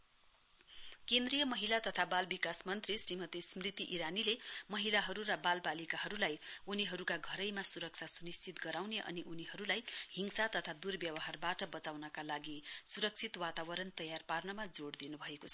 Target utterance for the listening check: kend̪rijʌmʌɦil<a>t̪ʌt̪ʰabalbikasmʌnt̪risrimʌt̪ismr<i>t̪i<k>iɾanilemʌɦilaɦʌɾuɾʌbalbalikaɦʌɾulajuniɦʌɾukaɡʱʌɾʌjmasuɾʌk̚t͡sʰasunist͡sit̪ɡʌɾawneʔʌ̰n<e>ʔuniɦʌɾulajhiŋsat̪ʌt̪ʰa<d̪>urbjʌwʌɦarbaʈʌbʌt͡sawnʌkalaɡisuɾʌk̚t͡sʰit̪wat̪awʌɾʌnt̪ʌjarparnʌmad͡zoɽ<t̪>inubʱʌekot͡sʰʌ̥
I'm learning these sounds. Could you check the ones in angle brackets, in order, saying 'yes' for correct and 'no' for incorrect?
yes, yes, no, no, yes, no

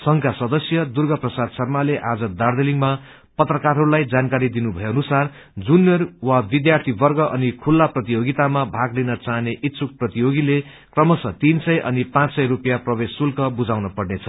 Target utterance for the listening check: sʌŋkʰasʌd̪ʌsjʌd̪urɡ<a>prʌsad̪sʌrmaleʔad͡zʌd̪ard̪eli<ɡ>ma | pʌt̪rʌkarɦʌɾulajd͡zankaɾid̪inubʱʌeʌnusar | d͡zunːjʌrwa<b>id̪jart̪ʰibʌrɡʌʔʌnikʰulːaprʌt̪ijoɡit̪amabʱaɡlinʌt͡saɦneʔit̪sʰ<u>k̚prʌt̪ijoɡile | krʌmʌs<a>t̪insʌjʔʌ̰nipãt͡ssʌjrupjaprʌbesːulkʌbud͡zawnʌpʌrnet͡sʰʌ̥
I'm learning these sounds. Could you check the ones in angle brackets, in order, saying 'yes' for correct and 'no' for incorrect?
no, no, yes, yes, no

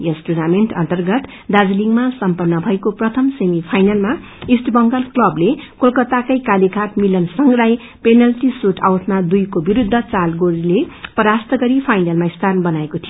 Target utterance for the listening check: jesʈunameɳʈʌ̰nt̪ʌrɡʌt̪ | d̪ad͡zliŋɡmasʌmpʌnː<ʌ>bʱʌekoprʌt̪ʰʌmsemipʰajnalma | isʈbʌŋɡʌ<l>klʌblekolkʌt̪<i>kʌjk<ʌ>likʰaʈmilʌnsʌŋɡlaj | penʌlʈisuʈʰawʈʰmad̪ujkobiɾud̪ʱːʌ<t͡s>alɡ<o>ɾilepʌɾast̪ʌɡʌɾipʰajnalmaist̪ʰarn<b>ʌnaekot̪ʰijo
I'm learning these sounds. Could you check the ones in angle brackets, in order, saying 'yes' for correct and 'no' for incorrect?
yes, yes, no, no, yes, yes, yes

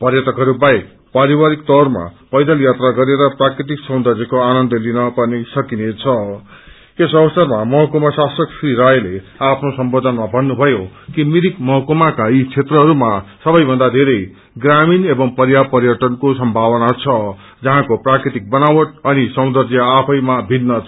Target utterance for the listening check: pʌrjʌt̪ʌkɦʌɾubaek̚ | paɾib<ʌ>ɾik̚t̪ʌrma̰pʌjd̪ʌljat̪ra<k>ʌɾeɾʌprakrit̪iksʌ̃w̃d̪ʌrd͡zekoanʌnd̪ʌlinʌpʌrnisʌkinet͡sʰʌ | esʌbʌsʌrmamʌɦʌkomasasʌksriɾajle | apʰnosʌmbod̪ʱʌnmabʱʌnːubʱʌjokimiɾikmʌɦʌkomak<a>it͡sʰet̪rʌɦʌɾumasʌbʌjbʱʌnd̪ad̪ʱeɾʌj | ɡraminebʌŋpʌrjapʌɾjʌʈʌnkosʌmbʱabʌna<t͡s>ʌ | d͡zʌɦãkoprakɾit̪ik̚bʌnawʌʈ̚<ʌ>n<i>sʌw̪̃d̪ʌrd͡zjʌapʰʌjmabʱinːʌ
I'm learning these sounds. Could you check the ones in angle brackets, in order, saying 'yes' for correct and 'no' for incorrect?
no, no, yes, no, yes, yes

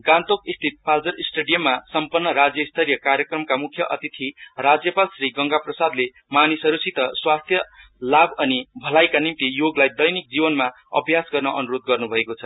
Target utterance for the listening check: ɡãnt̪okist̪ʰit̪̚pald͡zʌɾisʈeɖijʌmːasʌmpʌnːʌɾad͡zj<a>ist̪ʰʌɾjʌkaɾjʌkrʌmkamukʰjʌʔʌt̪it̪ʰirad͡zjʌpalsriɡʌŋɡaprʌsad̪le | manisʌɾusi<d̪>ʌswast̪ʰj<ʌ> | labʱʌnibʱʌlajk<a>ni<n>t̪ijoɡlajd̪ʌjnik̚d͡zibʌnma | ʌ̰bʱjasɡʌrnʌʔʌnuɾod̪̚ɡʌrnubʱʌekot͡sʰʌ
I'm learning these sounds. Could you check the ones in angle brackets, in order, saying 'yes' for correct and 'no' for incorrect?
no, no, yes, yes, no

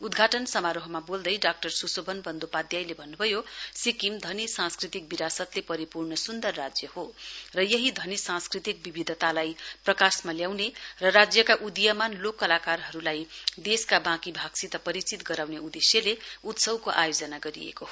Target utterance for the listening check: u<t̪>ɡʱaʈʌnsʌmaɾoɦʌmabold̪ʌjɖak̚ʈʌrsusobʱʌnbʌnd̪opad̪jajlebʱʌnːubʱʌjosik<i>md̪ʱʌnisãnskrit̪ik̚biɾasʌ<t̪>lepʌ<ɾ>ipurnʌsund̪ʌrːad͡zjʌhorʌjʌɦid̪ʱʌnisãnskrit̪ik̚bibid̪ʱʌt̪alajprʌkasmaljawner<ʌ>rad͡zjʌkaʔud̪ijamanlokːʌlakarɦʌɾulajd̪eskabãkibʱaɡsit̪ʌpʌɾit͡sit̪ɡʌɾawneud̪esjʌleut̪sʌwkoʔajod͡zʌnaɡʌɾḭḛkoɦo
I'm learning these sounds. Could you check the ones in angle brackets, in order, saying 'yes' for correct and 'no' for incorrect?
no, yes, yes, yes, yes

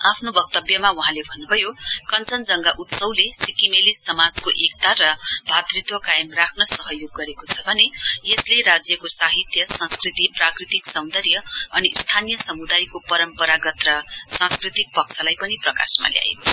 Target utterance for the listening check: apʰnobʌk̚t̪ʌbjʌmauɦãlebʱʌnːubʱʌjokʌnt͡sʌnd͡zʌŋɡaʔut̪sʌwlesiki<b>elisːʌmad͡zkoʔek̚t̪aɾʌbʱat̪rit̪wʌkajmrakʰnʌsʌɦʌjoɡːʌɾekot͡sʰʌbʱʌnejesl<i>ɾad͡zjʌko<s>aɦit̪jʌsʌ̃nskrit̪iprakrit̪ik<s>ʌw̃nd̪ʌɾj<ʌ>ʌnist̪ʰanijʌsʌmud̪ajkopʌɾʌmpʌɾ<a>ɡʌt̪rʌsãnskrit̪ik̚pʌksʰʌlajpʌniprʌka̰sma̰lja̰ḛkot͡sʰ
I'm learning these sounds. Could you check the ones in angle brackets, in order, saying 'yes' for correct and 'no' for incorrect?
no, no, yes, yes, yes, yes

